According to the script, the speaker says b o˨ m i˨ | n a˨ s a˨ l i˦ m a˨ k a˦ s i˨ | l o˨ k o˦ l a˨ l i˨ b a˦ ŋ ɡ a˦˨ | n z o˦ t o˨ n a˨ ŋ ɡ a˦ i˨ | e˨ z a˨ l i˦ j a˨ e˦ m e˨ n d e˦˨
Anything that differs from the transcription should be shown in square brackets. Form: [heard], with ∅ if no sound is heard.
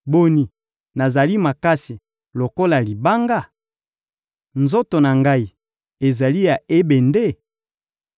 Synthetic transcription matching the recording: b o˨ [n] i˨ | n a˨ [z] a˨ l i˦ m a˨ k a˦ s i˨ | l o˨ k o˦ l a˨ l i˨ b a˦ ŋ ɡ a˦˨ | n z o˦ t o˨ n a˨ ŋ ɡ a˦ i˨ | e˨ z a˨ l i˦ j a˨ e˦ [b] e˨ n d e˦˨